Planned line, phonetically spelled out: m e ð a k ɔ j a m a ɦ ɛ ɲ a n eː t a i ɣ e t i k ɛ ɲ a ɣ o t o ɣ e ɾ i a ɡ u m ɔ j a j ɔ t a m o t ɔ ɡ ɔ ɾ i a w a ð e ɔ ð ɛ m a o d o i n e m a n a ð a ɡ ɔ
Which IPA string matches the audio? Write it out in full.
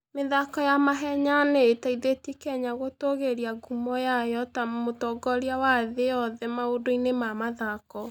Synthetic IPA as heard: m e ð a k ɔ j a m a ɦ ɛ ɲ a n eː t a i ð e t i k ɛ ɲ a ɣ o t o ɣ e ɾ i a ɡ u m ɔ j a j ɔ t a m o t ɔ ɡ ɔ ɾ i a w a ð e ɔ ð ɛ m a o d o i n e m a m a ð a k ɔ